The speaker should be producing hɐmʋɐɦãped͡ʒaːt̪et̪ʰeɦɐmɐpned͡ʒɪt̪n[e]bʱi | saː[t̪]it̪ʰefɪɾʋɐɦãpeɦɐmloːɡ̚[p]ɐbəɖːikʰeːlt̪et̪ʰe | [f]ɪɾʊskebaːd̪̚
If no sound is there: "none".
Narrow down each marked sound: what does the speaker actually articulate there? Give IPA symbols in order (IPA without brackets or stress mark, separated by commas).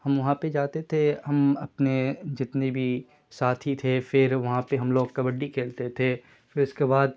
e, t̪ʰ, k, f